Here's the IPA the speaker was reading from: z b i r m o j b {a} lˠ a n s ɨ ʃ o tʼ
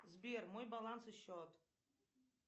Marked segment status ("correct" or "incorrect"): correct